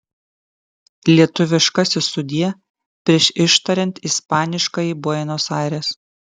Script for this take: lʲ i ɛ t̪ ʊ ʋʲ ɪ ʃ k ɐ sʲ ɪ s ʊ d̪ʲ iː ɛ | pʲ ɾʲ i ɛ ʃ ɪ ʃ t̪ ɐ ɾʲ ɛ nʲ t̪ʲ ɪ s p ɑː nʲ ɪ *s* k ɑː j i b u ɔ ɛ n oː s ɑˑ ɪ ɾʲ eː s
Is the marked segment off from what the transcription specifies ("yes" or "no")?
yes